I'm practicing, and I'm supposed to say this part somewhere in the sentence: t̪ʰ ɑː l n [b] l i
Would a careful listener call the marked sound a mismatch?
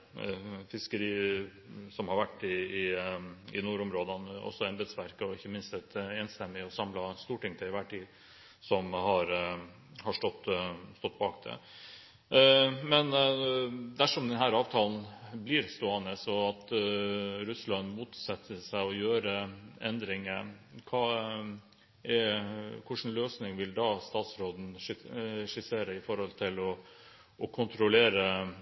no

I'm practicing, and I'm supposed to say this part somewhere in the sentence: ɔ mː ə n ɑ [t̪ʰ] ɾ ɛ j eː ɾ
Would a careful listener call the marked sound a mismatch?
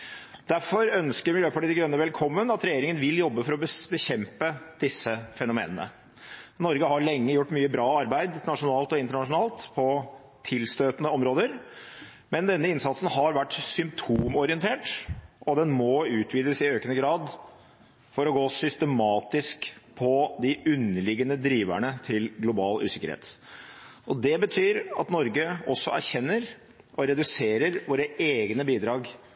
yes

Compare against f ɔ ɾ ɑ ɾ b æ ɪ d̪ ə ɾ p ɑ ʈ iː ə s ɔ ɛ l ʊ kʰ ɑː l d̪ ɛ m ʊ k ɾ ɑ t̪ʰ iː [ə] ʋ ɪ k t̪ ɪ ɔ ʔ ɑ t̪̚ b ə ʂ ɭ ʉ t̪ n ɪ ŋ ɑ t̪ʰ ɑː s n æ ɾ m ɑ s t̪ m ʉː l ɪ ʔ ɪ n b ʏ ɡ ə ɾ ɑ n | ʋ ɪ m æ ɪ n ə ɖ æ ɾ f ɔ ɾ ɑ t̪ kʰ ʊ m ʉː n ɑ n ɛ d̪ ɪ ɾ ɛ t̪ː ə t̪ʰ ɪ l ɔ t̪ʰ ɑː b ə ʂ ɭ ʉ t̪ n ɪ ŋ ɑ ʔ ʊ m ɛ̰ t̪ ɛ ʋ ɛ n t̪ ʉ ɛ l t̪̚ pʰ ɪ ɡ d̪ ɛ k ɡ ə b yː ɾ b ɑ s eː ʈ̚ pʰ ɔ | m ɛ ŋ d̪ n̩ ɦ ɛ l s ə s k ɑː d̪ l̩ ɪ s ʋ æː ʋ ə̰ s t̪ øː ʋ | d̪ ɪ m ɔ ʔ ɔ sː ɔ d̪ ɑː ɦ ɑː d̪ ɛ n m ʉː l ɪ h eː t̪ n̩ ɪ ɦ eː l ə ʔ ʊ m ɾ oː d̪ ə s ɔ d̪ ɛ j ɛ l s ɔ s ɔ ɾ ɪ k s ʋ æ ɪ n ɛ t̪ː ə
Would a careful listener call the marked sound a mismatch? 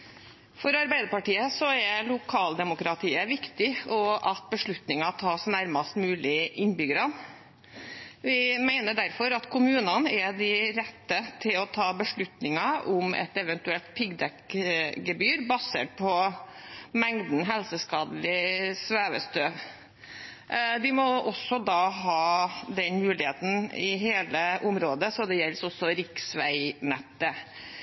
no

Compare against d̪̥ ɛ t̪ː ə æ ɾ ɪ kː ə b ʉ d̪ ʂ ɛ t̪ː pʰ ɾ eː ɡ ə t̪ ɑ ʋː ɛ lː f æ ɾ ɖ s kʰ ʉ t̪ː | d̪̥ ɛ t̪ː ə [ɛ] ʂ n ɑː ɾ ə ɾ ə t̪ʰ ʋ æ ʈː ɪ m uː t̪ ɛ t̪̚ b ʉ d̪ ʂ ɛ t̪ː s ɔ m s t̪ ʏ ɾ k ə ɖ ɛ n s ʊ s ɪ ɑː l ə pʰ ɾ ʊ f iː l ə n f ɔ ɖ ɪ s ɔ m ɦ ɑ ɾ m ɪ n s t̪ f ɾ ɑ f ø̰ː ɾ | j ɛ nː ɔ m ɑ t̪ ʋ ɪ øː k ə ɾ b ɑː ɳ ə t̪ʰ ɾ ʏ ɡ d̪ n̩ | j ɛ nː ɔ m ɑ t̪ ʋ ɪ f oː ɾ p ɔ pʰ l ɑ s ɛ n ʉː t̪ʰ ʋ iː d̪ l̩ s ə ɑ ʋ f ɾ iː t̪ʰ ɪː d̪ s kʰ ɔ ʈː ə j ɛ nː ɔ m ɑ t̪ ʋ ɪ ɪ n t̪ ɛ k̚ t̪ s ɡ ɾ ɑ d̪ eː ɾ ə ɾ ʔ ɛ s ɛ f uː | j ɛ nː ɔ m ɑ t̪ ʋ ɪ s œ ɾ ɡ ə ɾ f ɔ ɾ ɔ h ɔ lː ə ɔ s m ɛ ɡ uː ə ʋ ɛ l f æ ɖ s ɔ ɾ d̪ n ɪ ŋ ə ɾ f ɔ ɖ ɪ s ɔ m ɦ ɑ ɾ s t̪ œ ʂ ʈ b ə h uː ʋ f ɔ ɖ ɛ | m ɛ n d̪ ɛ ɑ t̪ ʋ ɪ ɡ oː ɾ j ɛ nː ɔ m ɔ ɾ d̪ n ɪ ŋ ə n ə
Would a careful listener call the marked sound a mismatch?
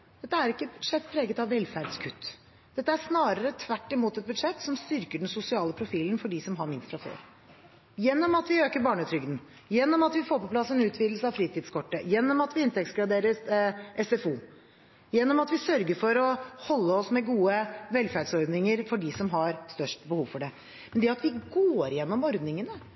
yes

